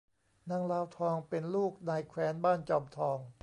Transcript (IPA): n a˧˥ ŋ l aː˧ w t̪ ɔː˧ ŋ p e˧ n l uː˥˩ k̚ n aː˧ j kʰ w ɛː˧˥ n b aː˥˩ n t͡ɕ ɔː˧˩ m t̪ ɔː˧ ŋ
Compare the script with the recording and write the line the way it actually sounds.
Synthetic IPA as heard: n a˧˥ ŋ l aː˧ w t̪ʰ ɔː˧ ŋ p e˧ n l uː˥˩ k̚ n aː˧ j kʰ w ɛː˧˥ n b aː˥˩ n t͡ɕ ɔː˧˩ m t̪ʰ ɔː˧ ŋ